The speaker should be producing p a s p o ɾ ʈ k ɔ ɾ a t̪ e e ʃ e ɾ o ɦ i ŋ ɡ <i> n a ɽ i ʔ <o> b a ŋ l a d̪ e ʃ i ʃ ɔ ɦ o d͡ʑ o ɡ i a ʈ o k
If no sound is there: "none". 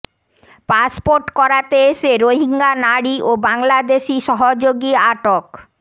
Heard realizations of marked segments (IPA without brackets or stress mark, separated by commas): a, o